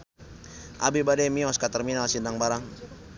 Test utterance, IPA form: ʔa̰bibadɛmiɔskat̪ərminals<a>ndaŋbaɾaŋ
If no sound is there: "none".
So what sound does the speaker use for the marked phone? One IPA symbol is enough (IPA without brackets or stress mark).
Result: i